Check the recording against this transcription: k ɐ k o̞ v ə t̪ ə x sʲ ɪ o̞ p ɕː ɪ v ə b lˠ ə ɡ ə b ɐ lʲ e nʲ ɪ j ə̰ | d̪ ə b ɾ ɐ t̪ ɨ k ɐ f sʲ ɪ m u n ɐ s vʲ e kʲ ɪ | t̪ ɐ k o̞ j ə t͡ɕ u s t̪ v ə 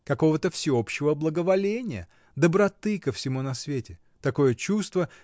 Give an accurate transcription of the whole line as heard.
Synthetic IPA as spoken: k ɐ k o̞ v ə t̪ ə f sʲ ɪ o̞ p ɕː ɪ v ə b lˠ ə ɡ ə v ɐ lʲ e nʲ ɪ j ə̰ | d̪ ə b ɾ ɐ t̪ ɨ k ə f sʲ ɪ m u n ɐ s vʲ e tʲ ɪ | t̪ ɐ k o̞ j ə t͡ɕ u s t̪ v ə